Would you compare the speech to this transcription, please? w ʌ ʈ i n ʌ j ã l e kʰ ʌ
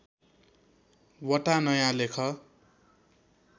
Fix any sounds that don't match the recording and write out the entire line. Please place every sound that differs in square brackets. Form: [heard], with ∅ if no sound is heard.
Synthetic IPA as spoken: w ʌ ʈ [a] n ʌ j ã l e kʰ ʌ